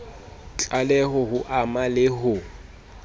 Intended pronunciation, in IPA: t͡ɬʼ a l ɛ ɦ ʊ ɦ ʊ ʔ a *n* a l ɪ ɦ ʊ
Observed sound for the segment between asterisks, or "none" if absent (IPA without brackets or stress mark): m